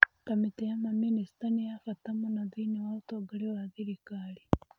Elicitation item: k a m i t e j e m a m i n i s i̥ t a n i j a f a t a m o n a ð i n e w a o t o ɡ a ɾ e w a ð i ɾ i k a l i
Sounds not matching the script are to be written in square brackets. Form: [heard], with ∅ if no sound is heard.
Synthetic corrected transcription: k a m i t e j [a] m a m i n i s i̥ t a n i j a f a t a m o n a ð i n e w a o t o ɡ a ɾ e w a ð i ɾ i k a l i